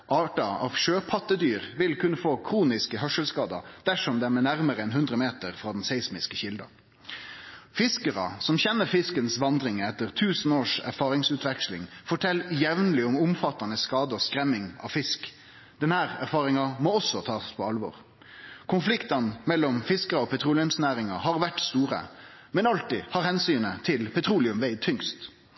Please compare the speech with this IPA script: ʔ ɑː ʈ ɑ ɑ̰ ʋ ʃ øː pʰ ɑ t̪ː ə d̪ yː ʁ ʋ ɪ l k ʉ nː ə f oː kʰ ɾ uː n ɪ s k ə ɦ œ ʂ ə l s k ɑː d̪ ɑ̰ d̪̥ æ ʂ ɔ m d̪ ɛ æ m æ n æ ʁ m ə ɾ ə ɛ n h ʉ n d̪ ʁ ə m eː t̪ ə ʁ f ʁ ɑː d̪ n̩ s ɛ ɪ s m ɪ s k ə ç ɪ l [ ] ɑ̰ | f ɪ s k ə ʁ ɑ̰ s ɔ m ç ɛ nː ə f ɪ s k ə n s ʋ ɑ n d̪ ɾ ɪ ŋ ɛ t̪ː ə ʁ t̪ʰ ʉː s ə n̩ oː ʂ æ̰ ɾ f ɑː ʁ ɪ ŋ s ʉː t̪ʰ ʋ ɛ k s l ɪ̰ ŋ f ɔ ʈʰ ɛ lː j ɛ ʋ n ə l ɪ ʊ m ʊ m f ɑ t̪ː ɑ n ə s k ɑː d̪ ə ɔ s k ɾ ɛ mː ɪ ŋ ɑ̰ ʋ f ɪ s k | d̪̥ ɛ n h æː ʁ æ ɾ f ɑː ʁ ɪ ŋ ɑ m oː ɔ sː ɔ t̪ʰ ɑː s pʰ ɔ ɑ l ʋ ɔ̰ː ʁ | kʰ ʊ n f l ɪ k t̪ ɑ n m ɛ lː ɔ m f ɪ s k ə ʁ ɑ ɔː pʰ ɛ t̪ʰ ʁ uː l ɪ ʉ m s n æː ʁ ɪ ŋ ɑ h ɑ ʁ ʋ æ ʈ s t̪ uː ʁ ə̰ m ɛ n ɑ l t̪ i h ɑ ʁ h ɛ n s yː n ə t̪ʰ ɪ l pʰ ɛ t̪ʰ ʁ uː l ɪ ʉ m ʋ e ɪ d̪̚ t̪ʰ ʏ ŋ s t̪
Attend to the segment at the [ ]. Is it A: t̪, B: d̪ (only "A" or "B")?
B